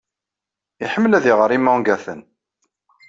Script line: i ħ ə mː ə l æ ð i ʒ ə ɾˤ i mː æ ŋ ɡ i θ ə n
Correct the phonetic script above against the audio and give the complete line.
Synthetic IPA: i ħ ə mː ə l æ ð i ʁ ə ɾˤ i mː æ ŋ ɡ æ θ ə n